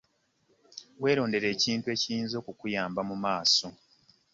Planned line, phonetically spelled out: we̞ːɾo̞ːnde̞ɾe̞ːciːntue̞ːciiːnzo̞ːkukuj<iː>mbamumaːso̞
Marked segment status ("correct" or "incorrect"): incorrect